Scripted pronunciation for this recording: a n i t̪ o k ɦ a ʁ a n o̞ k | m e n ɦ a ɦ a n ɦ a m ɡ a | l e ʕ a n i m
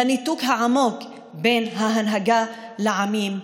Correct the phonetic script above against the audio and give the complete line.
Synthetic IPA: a n i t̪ u k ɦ a ʕ a m o̞ k | b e n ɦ a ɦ a n ɦ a ɡ a | l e ʕ a m i m

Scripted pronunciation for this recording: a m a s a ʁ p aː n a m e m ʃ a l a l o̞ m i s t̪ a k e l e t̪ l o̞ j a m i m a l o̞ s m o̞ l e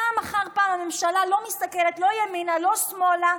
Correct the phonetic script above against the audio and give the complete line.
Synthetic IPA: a m a χ a ʁ p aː m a m e m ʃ a l a l o̞ m i s t̪ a k e l e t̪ l o̞ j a m i n a l o̞ s m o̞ l a

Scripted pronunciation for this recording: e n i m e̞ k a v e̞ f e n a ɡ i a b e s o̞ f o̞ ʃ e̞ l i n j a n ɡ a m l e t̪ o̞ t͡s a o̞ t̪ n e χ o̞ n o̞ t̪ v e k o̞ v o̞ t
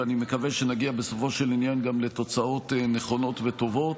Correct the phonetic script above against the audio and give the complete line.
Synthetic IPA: a n i m e̞ k a v e̞ ʃ e n a ɡ i a b e s o̞ f o̞ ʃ e̞ l i n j a n ɡ a m l e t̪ o̞ t͡s a o̞ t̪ n e χ o̞ n o̞ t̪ v e t o̞ v o̞ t

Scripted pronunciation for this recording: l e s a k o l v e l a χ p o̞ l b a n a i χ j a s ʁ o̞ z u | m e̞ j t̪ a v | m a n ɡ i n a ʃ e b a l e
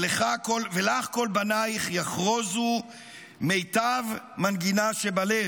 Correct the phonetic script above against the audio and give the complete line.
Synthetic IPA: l e χ a k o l v e l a χ k o̞ l b a n a i χ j a χ ʁ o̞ z u | m e̞ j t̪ a v | m a n ɡ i n a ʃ e b a l e

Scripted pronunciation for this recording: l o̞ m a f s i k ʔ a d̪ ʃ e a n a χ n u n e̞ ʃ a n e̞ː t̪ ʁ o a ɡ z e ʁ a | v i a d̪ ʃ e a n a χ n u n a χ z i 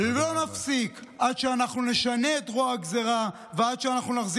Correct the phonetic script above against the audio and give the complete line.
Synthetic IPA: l o̞ n a f s i k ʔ a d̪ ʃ e a n a χ n u n e̞ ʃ a n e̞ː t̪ ʁ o a ɡ z e ʁ a | v e a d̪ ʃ e a n a χ n u n a χ z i

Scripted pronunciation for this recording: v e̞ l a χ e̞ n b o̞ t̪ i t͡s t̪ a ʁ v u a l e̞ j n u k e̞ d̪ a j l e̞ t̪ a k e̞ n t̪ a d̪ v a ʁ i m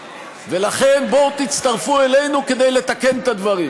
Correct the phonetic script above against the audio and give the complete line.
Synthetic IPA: v e̞ l a χ e̞ n b o̞ t̪ i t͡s t̪ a ʁ f u e l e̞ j n u k e̞ d̪ e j l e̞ t̪ a k e̞ n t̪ a d̪ v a ʁ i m

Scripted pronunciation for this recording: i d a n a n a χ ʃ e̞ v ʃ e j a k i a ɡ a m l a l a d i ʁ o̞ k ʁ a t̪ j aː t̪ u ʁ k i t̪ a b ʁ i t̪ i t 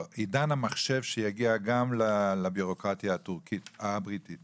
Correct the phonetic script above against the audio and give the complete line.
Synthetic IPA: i d a n a m a χ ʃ e̞ v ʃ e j a ɡ i a ɡ a m l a l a b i ʁ o̞ k ʁ a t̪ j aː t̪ u ʁ k i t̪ a b ʁ i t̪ i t

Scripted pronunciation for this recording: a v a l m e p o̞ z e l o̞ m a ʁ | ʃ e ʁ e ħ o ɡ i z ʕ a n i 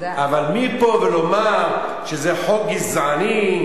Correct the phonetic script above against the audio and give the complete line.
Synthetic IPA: a v a l m i p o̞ v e l o̞ m a ʁ | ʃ e z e ħ o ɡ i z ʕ a n i

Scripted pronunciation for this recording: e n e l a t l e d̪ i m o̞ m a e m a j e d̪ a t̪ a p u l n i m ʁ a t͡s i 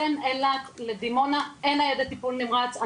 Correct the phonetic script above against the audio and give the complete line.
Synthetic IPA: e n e l a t l e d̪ i m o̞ n a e n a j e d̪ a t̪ i p u l n i m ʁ a t͡s a

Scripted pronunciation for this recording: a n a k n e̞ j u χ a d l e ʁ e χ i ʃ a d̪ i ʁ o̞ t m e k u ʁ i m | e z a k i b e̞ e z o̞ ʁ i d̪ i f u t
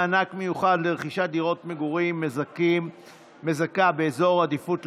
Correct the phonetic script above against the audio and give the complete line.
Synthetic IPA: a n a k m e̞ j u χ a d l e ʁ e χ i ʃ a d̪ i ʁ o̞ t m e ɡ u ʁ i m | e z a k a b e̞ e z o̞ ʁ a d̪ i f u t

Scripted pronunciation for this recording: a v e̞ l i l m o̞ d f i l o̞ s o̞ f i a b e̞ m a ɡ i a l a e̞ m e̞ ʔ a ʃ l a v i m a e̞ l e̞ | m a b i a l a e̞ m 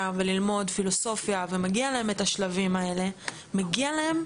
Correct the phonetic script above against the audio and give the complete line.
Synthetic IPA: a v e̞ l i l m o̞ d f i l o̞ s o̞ f j a v e̞ m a ɡ i a l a e̞ m e̞ t a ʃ l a v i m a e̞ l e̞ | m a ɡ i a l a e̞ m

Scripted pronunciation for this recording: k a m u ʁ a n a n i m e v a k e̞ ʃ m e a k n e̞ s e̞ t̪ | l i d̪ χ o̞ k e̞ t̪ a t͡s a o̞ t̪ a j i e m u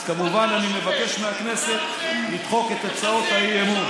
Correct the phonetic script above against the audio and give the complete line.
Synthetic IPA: k a m u v a n a n i m e v a k e̞ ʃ m e a k n e̞ s e̞ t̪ | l i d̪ χ o̞ k e̞ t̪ a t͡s a o̞ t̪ a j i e m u

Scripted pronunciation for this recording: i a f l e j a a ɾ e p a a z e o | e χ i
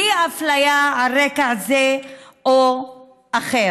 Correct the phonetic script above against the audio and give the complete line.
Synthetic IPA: i a f l a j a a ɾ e k a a z e o | a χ e

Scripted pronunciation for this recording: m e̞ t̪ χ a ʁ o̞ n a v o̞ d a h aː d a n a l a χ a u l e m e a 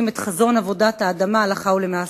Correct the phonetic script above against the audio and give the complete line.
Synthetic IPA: m e̞ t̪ χ a z o̞ n a v o̞ d a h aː d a m a l a χ a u l e m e a

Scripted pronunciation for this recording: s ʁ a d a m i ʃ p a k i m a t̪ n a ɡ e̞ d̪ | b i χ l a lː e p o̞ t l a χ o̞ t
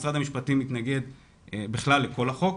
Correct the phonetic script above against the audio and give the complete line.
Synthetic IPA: s ʁ a d a m i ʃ p a t i m i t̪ n a ɡ e̞ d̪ | b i χ l a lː e k o̞ l a χ o̞ k

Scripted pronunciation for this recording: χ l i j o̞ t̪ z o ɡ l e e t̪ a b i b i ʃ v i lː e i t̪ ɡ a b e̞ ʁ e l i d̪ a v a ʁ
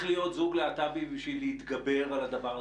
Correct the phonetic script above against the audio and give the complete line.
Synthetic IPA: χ l i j o̞ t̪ z u ɡ l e a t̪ a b i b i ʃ v i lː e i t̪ ɡ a b e̞ ʁ a l a d̪ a v a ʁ

